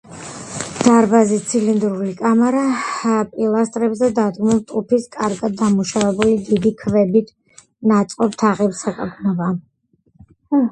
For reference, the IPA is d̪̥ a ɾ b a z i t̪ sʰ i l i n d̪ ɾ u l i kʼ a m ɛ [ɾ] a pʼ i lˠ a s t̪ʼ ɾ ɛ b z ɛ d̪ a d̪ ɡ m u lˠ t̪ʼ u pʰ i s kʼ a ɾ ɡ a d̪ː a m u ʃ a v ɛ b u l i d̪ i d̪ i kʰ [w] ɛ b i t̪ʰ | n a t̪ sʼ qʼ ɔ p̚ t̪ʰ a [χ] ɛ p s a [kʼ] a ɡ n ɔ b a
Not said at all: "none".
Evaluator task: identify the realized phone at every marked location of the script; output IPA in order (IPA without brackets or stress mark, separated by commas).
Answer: ɾ, v, ʁ, kʼ